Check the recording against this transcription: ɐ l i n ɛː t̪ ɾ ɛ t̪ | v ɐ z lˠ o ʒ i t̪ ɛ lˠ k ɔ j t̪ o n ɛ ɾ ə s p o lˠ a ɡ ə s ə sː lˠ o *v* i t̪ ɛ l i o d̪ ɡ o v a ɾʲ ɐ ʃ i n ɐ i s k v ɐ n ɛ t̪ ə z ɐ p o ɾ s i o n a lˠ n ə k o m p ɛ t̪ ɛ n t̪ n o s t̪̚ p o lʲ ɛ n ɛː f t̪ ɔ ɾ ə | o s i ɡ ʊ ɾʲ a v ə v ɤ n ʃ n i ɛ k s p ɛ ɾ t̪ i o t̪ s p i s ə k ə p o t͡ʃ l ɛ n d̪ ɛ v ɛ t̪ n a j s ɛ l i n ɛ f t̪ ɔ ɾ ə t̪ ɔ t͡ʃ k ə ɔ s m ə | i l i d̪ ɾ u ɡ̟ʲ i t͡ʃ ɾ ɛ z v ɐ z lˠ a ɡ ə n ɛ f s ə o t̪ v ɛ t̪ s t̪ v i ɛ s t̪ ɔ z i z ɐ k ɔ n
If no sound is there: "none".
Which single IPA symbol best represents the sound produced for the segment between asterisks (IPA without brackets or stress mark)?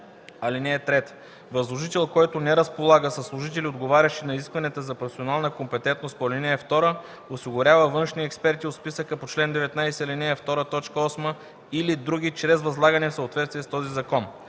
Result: ʒ